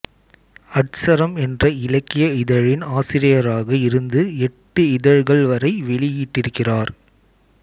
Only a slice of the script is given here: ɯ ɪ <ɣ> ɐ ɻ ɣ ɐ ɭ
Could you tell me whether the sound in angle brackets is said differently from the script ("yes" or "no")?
yes